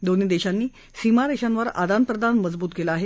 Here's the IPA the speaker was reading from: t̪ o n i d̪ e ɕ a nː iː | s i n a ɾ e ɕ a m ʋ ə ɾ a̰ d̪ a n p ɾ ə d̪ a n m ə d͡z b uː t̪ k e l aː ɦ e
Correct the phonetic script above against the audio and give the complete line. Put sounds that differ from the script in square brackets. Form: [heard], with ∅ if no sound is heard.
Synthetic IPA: [d̪] o n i d̪ e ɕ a nː iː | s i [m] a ɾ e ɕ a [n] ʋ ə ɾ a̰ d̪ a n p ɾ ə d̪ a n m ə d͡z b uː t̪ k e l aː ɦ e